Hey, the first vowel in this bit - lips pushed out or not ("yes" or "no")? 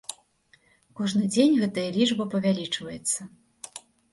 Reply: yes